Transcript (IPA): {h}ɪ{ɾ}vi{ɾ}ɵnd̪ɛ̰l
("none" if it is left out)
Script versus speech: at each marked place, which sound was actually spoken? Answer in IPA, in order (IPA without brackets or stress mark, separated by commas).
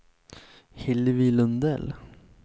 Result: h, l, l